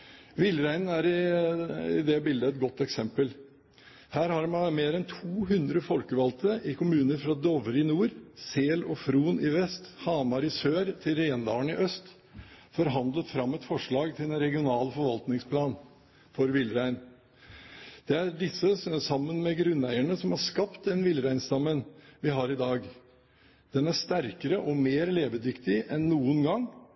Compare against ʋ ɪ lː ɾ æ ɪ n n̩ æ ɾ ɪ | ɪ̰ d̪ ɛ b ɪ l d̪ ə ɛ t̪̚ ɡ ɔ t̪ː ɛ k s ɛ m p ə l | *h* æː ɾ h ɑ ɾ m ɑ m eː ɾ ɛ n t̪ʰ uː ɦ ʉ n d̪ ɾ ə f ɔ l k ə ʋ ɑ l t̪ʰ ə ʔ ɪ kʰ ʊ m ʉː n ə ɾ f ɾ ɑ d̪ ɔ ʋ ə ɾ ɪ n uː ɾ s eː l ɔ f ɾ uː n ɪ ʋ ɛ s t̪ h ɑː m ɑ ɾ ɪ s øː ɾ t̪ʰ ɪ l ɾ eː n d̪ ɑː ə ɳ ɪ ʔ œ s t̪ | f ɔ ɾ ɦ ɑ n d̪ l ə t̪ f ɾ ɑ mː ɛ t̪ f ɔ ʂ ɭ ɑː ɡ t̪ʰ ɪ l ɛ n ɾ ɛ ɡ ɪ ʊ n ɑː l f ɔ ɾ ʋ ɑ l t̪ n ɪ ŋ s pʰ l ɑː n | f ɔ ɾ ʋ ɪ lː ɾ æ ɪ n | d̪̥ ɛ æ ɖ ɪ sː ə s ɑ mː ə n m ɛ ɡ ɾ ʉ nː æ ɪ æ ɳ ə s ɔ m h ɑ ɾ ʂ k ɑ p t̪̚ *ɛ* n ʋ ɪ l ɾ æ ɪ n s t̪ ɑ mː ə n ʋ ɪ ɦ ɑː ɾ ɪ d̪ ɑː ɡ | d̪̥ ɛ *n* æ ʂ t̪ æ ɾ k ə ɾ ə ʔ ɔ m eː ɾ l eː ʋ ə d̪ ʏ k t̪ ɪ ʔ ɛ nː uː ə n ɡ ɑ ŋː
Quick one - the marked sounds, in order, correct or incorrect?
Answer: correct, correct, correct

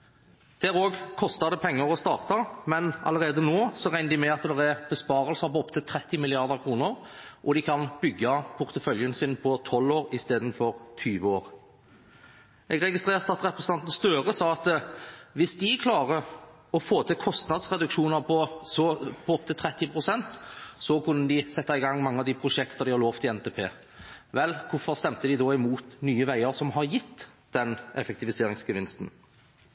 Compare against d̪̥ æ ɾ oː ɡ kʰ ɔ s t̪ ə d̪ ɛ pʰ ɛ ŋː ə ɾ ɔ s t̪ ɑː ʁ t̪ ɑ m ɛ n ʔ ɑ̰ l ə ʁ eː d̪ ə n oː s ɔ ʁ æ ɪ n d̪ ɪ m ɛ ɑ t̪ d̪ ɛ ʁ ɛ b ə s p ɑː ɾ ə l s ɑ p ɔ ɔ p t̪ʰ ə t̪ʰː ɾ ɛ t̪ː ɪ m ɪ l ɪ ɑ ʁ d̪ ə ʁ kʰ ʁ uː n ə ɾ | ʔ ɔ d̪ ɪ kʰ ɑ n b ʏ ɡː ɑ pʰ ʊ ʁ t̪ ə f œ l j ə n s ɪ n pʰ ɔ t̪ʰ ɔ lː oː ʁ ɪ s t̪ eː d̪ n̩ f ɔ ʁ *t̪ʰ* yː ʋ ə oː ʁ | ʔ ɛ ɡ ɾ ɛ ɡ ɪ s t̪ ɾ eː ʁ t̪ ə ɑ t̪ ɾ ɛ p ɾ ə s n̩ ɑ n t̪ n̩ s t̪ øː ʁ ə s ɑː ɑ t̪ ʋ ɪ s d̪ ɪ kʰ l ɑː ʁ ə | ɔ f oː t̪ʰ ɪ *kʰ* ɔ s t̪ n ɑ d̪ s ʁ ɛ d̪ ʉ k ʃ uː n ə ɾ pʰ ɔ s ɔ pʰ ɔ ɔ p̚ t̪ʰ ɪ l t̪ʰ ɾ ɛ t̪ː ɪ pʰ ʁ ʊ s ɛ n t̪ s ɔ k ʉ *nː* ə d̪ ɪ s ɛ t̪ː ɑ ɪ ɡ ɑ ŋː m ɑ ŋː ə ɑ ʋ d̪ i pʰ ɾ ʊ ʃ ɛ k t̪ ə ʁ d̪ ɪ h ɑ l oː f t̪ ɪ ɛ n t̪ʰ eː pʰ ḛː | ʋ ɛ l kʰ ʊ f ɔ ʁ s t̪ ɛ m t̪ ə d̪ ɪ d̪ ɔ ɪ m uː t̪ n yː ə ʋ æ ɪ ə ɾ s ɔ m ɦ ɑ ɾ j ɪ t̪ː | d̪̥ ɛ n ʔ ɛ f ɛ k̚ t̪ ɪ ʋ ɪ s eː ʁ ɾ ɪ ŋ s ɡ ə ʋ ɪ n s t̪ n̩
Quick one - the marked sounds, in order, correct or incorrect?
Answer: correct, correct, correct

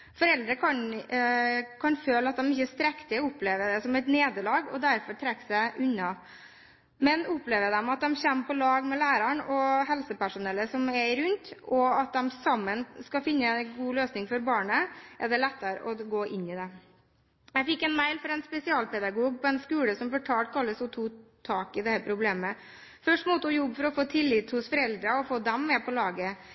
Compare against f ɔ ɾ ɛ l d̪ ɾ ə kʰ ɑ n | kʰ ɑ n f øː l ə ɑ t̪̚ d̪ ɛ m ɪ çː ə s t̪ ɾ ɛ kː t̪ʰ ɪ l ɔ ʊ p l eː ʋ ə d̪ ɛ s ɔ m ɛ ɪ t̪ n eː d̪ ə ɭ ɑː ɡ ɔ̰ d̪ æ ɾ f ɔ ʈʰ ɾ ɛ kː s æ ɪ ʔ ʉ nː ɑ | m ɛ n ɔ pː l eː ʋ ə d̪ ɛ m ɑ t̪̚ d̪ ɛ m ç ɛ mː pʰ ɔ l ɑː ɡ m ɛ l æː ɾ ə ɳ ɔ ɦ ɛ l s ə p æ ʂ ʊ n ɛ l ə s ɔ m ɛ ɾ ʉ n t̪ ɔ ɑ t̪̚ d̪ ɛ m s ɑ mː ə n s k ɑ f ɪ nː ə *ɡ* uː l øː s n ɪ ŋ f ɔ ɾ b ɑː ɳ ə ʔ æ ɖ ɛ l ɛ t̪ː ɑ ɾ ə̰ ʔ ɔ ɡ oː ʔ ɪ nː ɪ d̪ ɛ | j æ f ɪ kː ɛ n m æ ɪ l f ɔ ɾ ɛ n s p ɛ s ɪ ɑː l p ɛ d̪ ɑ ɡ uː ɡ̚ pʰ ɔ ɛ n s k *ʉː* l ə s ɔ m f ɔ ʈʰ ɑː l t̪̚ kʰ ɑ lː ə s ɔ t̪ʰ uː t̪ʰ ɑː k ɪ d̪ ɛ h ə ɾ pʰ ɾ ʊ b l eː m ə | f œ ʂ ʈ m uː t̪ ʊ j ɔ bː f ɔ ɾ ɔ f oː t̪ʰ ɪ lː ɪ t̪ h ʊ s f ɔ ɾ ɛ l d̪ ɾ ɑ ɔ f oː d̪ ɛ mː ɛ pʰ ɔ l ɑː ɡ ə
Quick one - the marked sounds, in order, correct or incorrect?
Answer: correct, correct

